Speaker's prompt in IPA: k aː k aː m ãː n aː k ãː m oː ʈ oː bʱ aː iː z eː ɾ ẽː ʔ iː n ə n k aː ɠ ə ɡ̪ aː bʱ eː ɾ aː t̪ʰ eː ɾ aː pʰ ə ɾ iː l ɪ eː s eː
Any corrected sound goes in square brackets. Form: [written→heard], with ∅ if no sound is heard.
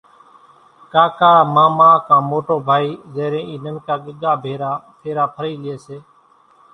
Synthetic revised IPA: k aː k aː m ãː [n→m] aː k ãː m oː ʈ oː bʱ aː iː z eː ɾ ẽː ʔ iː n ə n k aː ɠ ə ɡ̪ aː bʱ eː ɾ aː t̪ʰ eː ɾ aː pʰ ə ɾ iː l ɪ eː s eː